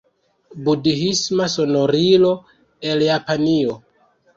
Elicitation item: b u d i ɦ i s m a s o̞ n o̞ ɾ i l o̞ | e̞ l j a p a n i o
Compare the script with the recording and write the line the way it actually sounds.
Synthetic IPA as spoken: b u d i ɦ i s m a s o̞ n o̞ ɾ i l o̞ | e̞ l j a p a n i o

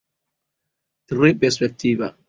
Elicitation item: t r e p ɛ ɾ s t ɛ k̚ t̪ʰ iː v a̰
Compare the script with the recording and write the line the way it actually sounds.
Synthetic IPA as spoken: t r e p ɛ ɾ s p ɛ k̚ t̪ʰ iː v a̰

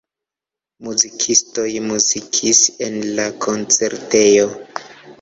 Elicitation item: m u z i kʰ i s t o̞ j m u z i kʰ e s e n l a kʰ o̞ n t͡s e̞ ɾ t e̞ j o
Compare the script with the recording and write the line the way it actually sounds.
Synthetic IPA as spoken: m u z i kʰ i s t o̞ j m u z i kʰ i s e n l a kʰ o̞ n t͡s e̞ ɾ t e̞ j o

